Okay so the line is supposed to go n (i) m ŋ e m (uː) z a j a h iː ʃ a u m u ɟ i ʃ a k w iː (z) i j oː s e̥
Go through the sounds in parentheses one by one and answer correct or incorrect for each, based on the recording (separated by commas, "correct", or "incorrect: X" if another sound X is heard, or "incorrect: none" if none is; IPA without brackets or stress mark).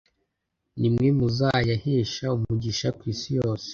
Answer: correct, incorrect: u, incorrect: s